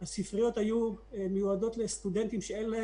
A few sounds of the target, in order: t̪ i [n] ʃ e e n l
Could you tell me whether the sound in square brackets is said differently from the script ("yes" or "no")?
yes